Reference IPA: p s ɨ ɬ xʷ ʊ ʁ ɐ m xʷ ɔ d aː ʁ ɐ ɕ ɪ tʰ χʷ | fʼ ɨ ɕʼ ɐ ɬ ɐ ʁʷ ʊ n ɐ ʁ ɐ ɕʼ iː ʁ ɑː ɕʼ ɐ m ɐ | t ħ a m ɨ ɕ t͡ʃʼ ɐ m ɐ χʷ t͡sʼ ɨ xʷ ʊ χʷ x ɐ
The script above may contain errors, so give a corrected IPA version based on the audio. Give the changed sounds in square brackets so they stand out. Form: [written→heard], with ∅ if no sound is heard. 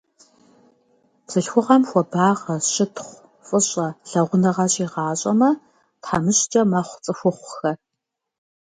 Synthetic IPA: p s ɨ ɬ xʷ ʊ ʁ ɐ m xʷ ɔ [d→b] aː ʁ ɐ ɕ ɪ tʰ χʷ | fʼ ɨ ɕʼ ɐ ɬ ɐ ʁʷ ʊ n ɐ ʁ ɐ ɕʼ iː ʁ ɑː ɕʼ ɐ m ɐ | t ħ a m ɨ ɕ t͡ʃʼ ɐ m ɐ χʷ t͡sʼ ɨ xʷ ʊ χʷ x ɐ